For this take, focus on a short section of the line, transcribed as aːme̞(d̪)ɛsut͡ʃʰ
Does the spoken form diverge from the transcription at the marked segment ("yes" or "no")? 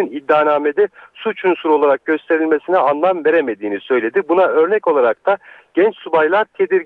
no